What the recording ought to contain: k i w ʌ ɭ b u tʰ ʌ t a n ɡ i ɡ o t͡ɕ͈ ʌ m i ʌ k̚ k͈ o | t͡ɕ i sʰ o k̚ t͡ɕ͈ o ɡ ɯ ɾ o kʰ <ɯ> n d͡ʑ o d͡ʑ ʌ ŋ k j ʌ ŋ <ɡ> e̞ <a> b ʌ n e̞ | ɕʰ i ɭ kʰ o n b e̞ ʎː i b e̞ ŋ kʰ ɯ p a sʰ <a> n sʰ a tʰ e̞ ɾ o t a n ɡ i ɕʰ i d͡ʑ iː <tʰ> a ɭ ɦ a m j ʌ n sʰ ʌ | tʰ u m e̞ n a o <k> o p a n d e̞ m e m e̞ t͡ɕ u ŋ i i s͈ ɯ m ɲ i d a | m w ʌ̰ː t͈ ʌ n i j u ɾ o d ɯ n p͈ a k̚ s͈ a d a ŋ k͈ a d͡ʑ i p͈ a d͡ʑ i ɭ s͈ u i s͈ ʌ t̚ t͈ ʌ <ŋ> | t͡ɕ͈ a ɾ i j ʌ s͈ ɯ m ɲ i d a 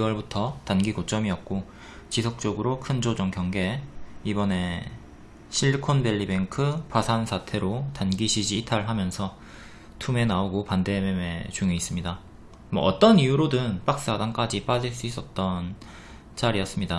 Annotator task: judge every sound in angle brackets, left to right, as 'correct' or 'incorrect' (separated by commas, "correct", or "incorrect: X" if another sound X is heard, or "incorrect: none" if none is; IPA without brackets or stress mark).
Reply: correct, correct, incorrect: i, correct, correct, incorrect: ɡ, incorrect: n